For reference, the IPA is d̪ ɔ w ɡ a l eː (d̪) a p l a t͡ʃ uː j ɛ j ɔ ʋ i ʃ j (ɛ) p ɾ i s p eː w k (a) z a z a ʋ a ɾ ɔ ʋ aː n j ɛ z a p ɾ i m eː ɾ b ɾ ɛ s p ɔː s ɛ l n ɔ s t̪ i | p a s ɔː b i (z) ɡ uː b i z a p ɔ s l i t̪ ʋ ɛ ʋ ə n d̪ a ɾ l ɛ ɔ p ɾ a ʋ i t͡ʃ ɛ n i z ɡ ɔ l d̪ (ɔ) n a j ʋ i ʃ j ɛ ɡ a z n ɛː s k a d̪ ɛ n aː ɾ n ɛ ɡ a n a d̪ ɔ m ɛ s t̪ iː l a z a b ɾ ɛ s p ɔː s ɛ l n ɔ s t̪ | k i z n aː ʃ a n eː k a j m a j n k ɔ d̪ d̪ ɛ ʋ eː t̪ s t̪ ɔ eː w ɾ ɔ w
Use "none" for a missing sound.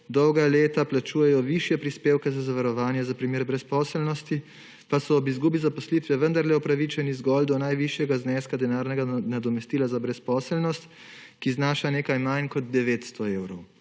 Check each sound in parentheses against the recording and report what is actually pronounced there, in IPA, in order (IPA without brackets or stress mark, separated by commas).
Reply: t̪, ɛ, ɛ, z, ɔ